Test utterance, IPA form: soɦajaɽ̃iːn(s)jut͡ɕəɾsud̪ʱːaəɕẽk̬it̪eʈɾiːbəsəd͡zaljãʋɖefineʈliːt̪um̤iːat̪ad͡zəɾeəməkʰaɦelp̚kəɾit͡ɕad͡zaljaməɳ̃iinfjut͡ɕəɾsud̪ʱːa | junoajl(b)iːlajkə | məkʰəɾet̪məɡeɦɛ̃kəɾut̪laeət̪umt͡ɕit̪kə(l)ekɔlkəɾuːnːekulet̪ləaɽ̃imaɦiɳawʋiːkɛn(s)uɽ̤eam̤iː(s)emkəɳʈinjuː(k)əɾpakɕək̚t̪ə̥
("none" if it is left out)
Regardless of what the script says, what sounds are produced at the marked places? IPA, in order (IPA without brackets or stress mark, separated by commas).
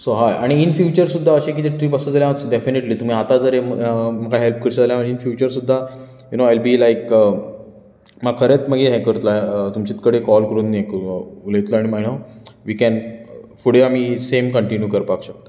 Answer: f, b, ɽ, f, s, k